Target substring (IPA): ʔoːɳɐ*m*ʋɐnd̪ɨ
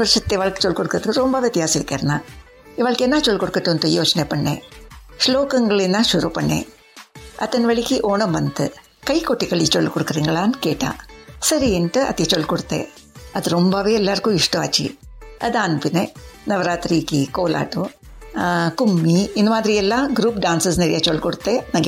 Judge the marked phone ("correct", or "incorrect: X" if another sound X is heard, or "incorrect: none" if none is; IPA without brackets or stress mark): correct